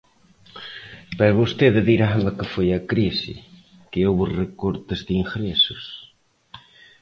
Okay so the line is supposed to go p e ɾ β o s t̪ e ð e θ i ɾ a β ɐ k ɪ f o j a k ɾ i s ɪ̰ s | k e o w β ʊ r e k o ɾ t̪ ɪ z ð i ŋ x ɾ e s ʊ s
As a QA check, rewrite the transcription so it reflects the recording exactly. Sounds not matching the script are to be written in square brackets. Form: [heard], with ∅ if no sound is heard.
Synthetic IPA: p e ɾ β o s t̪ e ð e [ð] i ɾ a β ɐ k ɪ f o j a k ɾ i s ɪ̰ [∅] | k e o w β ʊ r e k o ɾ t̪ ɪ z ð i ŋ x ɾ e s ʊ s